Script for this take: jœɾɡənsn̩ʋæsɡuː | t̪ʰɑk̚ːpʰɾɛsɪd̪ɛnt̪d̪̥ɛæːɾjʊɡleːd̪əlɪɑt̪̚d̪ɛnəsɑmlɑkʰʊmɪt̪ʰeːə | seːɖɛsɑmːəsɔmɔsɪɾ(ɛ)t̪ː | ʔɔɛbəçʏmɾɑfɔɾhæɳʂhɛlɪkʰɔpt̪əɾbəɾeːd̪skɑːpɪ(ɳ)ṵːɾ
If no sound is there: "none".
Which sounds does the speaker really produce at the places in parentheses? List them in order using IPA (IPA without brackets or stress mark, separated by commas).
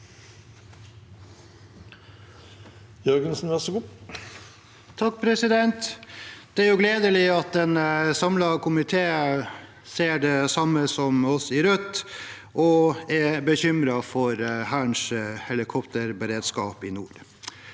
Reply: œ, n